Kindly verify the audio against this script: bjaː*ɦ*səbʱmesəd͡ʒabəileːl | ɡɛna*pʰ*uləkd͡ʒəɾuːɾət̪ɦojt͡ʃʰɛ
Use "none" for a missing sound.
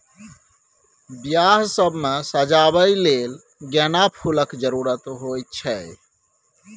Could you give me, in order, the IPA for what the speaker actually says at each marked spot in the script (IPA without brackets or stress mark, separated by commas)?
ɦ, pʰ